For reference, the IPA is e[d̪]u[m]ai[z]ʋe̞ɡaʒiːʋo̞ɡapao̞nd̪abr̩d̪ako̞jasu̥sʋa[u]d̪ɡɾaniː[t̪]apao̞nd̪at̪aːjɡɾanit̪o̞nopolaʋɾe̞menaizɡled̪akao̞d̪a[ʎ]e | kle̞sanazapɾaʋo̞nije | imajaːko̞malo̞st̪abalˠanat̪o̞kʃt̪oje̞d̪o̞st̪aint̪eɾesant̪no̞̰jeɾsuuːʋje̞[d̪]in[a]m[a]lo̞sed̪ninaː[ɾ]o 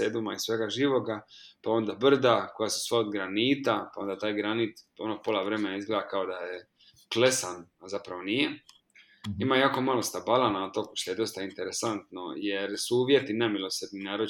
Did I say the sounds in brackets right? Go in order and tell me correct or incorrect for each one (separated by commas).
correct, correct, incorrect, incorrect, correct, incorrect, incorrect, incorrect, incorrect, correct